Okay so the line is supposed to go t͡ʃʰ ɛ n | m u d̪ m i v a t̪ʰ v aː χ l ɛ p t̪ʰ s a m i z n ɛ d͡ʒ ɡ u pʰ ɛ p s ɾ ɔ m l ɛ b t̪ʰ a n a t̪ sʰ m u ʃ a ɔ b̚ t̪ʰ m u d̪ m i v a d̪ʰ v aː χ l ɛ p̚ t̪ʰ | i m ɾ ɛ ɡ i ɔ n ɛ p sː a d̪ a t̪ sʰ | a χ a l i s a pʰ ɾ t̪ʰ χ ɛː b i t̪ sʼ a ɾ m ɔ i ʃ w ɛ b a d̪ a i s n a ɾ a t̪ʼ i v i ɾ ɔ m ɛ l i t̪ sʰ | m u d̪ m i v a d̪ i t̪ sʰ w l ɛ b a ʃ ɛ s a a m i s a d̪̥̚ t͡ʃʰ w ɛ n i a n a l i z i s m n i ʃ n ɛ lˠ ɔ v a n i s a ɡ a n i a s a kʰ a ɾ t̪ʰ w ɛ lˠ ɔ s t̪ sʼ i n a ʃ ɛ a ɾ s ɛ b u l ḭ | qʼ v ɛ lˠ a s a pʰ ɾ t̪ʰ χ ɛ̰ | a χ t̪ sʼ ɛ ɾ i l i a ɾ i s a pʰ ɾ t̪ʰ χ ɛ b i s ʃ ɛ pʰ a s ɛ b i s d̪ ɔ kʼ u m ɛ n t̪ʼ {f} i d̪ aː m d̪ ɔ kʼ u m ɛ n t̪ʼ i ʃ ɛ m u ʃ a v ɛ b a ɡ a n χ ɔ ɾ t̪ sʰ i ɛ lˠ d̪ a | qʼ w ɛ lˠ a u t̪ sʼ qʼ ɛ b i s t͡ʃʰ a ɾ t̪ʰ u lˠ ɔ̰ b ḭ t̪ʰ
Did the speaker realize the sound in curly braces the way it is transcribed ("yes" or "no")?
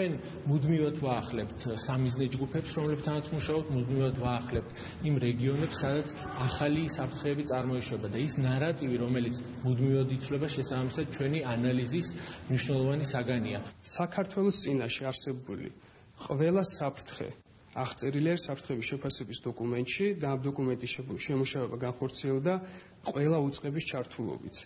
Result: no